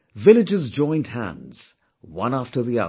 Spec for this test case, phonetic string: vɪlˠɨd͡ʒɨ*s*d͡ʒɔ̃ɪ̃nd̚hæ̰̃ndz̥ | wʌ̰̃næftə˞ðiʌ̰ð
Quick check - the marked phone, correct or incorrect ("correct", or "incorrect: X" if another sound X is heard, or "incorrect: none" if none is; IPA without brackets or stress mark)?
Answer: incorrect: z